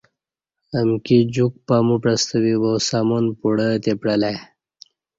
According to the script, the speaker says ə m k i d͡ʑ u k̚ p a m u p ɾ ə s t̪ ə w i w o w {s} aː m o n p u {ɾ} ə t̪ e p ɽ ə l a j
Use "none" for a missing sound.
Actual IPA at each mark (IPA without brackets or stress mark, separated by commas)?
s, ɽ